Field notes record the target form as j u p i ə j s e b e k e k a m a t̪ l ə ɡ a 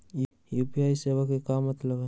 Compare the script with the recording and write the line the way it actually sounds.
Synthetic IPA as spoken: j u p i a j s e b a k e k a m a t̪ l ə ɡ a